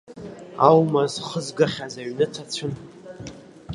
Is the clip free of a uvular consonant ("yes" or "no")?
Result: no